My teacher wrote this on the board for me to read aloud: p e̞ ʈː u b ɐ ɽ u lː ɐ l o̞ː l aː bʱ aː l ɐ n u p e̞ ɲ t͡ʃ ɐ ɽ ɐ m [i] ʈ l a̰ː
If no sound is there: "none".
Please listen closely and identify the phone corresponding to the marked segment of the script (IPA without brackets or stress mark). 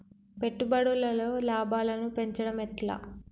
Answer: ɛ